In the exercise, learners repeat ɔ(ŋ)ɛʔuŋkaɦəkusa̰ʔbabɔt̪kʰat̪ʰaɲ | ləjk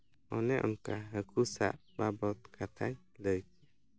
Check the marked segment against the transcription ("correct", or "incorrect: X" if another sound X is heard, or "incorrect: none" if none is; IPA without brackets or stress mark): incorrect: n